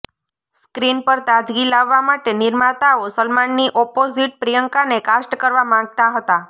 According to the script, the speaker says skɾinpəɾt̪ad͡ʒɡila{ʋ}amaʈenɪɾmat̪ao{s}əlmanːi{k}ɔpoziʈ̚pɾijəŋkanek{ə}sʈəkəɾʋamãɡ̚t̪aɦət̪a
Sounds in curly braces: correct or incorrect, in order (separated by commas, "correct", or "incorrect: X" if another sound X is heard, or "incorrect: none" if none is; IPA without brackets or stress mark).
incorrect: ʋː, correct, incorrect: ʔ, incorrect: a